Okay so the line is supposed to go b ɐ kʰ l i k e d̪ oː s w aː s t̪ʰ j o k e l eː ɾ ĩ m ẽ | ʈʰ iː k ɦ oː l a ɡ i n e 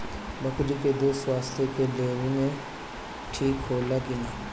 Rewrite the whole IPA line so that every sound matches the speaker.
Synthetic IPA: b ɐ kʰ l i k e d̪ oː s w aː s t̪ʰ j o k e l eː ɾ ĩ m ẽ | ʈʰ iː k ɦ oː l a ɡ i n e